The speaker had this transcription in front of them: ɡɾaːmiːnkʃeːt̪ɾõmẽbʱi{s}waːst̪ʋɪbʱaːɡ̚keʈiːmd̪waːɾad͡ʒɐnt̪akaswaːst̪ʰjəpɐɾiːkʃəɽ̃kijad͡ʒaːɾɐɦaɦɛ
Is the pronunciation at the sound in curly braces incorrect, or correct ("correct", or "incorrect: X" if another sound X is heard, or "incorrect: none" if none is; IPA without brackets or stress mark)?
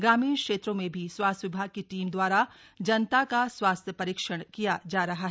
correct